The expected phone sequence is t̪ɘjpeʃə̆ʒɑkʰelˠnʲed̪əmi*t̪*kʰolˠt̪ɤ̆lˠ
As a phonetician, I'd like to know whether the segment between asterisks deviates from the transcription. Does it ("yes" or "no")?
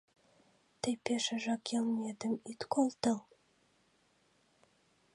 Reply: no